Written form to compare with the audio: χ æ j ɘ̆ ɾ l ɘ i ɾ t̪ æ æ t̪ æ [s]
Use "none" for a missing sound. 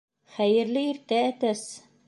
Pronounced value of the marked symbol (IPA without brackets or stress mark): s